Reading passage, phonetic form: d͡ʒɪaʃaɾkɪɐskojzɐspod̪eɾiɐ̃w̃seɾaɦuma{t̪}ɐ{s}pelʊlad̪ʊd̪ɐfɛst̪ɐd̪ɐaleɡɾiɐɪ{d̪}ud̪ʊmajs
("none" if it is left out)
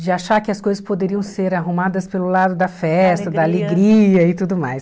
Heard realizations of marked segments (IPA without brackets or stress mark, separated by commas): d̪, s, t̪